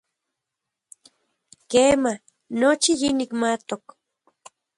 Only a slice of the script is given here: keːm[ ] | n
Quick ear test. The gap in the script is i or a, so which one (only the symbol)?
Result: a